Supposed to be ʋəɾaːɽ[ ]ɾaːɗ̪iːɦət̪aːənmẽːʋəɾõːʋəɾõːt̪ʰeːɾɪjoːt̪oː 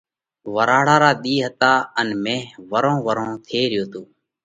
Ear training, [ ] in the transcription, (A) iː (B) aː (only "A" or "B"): B